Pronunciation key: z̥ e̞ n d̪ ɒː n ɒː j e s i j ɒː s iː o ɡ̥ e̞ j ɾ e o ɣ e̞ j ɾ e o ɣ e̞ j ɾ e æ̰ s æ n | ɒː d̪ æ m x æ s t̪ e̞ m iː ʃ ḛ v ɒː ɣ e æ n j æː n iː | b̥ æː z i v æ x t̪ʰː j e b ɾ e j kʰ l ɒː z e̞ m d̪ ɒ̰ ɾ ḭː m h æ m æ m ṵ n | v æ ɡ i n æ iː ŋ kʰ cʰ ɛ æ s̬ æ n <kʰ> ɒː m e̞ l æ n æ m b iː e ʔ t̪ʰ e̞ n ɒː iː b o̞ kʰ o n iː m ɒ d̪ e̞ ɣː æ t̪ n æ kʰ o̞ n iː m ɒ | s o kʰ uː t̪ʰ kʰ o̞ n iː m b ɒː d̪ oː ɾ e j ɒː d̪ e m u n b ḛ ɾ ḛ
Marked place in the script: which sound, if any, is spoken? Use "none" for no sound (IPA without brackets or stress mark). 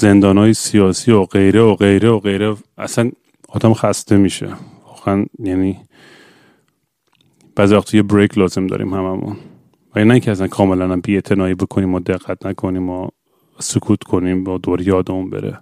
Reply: kʰ